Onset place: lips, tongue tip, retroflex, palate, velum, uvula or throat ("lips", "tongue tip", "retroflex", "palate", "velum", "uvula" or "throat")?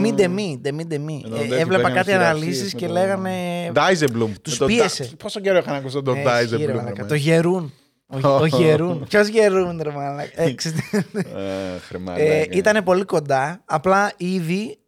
lips